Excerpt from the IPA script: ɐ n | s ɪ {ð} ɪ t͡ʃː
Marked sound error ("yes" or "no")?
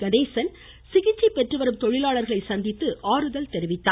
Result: yes